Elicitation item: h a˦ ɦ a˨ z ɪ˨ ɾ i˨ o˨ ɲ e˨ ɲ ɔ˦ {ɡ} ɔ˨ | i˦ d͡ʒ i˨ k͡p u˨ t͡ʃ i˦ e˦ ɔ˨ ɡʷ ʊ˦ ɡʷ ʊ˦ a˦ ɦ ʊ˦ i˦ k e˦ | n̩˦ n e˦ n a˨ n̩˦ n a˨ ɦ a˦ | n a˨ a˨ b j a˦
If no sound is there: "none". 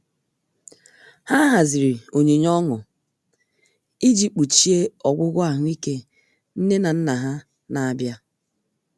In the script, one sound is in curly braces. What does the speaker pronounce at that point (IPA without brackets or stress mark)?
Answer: ŋ